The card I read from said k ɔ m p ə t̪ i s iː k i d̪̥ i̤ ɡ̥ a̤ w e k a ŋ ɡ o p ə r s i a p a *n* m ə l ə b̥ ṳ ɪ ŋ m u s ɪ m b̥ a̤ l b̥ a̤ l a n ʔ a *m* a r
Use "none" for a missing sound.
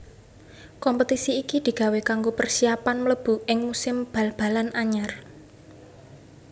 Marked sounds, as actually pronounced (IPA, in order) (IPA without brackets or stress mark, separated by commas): n, ɲ